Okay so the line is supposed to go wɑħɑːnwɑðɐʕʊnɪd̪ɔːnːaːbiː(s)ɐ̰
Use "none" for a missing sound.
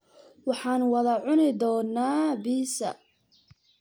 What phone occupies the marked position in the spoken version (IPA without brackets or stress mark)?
s